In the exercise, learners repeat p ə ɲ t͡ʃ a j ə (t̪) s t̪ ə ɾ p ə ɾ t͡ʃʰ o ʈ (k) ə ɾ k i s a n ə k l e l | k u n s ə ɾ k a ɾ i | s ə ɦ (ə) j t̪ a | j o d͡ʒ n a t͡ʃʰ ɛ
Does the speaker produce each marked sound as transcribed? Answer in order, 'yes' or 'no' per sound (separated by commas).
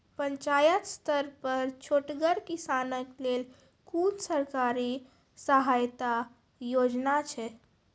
yes, no, no